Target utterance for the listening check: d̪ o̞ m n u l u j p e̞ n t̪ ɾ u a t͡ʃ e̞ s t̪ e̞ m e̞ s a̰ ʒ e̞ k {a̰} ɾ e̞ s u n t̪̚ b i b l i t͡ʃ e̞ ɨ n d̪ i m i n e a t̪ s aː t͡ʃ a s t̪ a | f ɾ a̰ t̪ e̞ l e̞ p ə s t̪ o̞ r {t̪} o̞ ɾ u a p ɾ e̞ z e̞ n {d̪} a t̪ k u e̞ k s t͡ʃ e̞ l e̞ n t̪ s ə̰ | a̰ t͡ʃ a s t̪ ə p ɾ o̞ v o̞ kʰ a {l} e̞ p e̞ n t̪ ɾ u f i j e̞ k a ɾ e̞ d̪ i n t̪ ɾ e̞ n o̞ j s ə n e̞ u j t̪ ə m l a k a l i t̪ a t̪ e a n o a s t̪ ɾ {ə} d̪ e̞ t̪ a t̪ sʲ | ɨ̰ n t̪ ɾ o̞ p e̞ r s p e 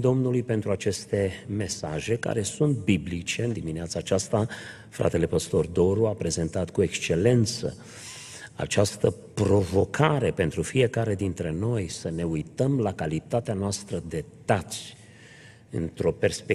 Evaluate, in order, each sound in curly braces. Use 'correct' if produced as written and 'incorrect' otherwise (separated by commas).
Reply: correct, incorrect, incorrect, incorrect, correct